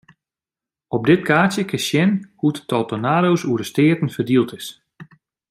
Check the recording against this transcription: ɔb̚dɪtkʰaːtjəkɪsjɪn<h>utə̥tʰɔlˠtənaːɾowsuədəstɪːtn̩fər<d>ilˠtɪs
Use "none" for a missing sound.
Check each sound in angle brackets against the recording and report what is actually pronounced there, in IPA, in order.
h, d

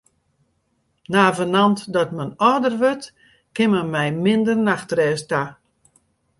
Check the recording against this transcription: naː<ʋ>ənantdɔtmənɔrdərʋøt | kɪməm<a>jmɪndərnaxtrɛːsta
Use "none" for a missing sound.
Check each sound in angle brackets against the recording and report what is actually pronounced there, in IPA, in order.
v, ɛ

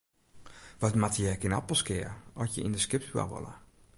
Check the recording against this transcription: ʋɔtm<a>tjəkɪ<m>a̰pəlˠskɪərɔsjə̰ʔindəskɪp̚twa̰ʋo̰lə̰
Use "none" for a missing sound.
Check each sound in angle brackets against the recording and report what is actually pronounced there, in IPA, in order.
a, n

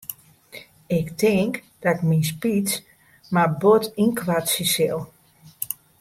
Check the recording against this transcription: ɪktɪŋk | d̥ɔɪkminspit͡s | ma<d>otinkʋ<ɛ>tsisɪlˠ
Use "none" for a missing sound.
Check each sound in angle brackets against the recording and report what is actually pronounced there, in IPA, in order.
b, a

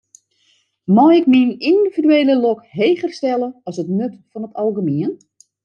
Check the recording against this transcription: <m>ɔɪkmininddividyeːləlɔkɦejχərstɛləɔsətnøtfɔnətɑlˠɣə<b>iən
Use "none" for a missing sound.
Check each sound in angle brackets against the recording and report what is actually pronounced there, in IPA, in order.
m, m

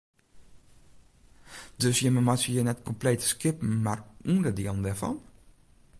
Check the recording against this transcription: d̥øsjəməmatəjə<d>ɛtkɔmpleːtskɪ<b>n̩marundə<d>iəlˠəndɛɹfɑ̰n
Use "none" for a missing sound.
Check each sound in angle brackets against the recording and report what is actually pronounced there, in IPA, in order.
n, p, d

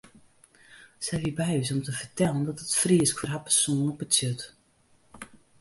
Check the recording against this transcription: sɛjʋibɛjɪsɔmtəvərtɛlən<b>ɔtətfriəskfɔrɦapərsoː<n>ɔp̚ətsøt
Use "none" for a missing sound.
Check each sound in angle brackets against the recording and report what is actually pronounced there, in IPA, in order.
d, n

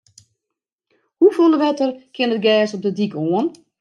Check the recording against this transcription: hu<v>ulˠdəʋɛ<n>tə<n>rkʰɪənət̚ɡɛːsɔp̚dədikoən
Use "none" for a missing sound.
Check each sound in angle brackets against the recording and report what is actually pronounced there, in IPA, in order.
f, none, none

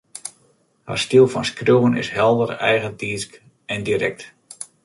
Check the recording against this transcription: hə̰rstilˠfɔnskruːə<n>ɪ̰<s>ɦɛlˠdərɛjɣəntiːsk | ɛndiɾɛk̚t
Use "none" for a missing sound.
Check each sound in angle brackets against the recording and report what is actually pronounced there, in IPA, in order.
n, s

